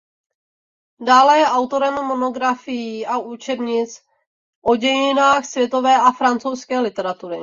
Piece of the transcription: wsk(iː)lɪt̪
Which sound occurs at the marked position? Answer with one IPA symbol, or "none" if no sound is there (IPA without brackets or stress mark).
ɛː